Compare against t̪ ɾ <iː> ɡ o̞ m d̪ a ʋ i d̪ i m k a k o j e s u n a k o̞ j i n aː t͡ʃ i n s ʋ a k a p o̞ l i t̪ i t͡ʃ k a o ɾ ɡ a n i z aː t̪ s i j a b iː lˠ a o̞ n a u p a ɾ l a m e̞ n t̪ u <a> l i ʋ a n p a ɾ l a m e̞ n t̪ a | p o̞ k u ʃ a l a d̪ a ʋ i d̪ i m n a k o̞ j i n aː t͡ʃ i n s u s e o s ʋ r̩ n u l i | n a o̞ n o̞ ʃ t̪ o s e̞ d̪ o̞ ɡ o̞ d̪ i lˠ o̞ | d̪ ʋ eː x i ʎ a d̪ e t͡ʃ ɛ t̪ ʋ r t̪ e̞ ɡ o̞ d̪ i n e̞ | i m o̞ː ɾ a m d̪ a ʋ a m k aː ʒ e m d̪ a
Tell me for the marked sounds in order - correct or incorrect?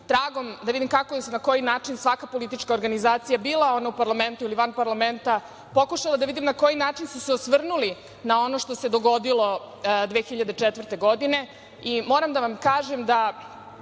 incorrect: aː, incorrect: i

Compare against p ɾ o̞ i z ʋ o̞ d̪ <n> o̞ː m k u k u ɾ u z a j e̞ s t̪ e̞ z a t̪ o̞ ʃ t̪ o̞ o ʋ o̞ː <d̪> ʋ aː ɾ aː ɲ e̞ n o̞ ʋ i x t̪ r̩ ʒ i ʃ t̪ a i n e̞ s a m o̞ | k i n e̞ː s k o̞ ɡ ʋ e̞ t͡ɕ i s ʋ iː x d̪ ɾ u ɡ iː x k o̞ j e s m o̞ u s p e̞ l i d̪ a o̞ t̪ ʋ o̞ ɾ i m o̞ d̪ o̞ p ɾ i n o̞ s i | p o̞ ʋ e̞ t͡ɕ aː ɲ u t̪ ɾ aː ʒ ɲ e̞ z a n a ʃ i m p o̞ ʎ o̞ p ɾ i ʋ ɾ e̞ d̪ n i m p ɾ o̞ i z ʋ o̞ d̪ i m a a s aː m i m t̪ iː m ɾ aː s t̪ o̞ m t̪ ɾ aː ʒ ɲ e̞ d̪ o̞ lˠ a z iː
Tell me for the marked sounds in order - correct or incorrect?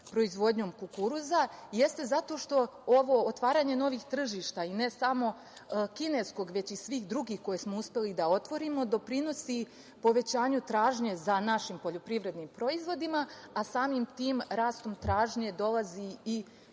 incorrect: ɲ, incorrect: t̪

